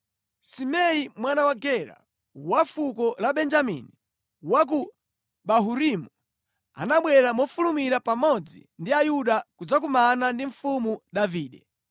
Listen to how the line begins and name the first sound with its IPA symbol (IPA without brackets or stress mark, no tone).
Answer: s